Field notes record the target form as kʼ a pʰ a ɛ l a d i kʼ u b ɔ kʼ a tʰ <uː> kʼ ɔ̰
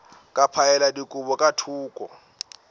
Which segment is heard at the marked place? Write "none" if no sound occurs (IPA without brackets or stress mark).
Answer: uː